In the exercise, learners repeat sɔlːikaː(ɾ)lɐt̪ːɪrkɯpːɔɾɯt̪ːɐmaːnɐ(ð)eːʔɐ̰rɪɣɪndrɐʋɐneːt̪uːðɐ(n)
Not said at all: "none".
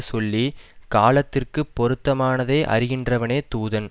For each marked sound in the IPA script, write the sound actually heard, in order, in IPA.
none, ð, n

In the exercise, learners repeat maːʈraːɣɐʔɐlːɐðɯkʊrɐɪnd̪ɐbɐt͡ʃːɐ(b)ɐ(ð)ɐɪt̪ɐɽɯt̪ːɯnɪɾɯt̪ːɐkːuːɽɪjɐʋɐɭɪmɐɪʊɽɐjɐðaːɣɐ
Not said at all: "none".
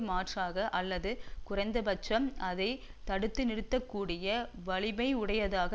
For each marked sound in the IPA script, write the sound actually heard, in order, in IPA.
m, ð

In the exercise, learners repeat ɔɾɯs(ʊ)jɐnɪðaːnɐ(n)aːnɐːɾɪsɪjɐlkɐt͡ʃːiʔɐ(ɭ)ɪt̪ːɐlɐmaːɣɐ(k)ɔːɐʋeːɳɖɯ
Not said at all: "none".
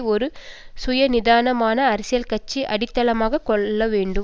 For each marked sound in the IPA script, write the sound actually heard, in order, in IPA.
ʊ, m, ɽ, k

